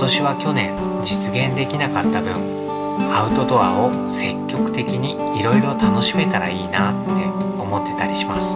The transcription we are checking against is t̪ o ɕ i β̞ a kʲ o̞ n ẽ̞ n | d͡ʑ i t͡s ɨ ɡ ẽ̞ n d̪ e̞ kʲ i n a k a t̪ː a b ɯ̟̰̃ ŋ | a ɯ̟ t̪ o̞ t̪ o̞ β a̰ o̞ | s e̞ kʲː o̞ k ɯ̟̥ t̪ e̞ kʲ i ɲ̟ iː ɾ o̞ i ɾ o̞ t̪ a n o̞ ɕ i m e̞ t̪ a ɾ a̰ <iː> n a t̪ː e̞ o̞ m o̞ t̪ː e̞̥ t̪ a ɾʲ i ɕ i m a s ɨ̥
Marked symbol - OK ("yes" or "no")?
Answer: yes